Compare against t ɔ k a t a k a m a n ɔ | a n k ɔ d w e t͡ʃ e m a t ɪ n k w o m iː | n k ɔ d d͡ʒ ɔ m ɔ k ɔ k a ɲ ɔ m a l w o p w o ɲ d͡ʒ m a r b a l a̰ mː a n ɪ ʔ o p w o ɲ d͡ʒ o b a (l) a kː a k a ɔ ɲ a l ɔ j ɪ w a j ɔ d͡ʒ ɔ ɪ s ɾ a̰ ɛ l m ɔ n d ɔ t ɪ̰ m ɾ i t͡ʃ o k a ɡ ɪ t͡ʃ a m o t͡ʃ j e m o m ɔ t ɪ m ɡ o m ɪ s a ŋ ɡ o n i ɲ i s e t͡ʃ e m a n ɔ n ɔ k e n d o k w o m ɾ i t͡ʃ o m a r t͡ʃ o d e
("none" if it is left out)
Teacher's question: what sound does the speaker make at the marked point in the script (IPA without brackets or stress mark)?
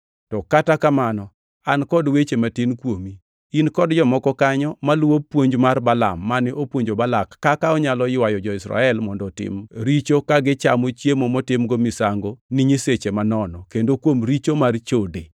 l